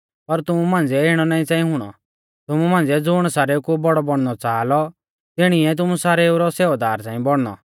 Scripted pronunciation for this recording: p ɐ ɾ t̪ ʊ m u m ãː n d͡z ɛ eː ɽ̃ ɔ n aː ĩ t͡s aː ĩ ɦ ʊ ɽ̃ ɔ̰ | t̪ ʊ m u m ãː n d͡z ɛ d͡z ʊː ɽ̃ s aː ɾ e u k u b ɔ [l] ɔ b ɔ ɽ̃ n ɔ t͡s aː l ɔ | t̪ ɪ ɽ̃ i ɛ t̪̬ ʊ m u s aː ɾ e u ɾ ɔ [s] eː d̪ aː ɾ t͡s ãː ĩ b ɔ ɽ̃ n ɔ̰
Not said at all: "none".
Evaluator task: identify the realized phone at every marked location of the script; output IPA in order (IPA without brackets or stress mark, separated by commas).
ɽ, s